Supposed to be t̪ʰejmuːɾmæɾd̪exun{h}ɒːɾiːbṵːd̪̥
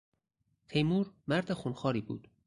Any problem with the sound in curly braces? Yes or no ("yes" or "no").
yes